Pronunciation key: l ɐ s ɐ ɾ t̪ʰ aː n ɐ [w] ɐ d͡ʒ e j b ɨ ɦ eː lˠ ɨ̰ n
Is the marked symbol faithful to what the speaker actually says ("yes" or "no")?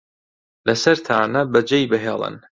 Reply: no